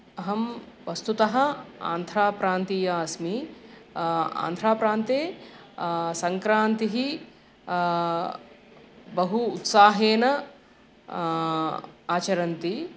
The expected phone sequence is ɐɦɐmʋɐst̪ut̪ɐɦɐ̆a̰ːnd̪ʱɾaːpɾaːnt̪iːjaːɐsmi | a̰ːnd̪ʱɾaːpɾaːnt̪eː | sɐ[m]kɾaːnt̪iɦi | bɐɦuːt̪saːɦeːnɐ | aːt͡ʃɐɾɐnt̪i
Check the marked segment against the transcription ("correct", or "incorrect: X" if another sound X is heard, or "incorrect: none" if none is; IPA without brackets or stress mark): incorrect: ŋ